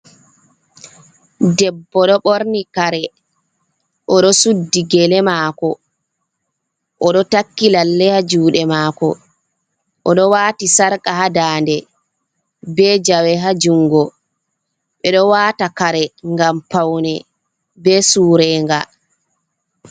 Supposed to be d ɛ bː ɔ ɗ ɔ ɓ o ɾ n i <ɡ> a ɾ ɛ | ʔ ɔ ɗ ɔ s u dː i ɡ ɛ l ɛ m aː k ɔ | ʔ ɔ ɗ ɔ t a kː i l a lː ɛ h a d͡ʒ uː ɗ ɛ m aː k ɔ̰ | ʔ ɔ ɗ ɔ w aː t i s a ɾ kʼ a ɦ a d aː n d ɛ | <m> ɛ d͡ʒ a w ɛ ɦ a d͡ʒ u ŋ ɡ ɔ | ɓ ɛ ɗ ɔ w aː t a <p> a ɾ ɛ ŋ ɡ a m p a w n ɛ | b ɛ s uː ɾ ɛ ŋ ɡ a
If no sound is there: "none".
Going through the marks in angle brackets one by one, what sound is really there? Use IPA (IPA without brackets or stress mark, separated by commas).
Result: k, b, k